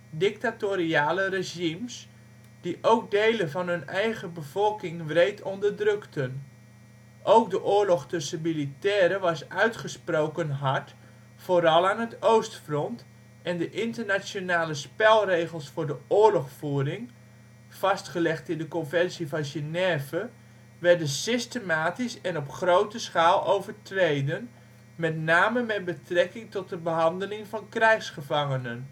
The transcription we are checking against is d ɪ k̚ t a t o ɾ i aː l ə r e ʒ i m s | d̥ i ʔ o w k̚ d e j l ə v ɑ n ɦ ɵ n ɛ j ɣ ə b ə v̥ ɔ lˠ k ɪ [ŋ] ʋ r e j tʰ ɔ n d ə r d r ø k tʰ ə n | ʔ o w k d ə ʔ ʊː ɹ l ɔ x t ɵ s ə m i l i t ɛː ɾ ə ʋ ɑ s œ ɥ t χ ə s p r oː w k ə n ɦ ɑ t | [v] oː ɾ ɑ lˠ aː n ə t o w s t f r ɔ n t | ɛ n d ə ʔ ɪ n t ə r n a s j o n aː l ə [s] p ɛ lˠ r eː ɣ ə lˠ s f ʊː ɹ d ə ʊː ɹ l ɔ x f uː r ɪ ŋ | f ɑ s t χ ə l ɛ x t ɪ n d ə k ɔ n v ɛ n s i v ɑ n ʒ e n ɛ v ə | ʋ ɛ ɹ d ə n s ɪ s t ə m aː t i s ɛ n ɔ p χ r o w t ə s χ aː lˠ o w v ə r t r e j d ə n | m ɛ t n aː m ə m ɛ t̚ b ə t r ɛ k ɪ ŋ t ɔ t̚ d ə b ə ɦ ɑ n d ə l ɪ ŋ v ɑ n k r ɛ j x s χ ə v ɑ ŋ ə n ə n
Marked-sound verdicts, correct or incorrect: correct, incorrect: f, correct

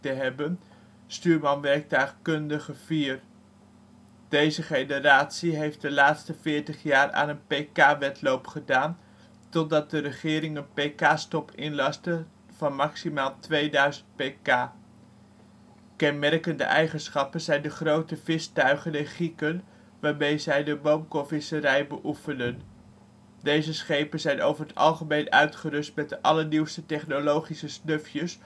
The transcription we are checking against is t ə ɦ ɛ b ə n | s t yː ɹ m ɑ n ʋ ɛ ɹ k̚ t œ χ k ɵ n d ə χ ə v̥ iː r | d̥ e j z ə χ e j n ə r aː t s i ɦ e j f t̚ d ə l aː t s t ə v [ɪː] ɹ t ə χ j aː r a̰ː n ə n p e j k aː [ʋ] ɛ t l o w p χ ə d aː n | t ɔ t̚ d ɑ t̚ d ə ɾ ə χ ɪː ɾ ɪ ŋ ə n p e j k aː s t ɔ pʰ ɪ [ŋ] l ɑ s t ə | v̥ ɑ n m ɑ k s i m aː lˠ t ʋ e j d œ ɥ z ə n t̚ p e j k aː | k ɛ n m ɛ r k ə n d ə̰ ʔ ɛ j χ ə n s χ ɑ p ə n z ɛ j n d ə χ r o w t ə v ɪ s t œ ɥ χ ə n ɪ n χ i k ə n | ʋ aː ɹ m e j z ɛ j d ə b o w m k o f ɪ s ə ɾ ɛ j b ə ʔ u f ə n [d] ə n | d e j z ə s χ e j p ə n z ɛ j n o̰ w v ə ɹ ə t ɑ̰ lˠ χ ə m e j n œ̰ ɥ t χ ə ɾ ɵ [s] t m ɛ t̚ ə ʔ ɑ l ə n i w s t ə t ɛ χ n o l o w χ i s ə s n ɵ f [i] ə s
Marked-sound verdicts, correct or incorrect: correct, correct, incorrect: n, correct, correct, incorrect: j

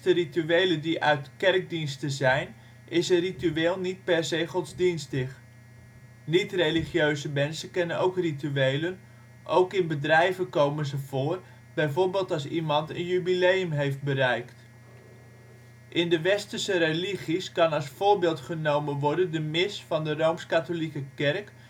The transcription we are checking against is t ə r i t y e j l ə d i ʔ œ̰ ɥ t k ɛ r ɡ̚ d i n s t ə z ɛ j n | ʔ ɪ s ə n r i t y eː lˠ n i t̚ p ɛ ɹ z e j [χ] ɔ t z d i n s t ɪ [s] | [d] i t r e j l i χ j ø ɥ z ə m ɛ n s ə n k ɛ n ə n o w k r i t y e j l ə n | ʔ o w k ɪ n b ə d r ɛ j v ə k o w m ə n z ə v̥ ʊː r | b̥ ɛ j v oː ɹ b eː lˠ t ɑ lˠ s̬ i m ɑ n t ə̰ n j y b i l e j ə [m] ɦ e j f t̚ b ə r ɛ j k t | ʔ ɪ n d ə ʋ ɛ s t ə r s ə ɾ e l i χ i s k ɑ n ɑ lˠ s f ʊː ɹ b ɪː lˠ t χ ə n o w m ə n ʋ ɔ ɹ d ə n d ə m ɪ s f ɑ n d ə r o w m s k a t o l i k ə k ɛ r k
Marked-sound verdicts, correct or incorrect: correct, incorrect: χ, incorrect: n, correct

